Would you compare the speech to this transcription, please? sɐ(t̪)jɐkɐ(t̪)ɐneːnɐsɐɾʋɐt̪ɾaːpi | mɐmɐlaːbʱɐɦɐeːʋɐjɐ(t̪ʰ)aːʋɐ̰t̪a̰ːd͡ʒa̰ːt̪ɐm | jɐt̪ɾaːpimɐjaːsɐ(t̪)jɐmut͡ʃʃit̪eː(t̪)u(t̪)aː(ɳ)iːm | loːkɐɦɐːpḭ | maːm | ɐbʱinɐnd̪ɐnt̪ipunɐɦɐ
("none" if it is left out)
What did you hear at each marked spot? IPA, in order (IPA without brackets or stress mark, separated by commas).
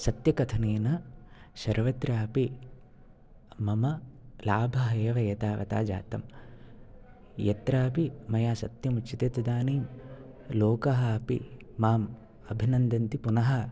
t̪, t̪ʰ, t̪, t̪, t̪, d̪, n